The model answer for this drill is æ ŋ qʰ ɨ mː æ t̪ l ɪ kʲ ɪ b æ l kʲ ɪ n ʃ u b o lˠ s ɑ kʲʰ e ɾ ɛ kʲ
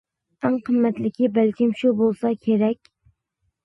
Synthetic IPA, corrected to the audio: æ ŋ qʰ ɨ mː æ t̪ l ɪ kʲ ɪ b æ l kʲ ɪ m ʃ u b o lˠ s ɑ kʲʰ e ɾ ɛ kʲ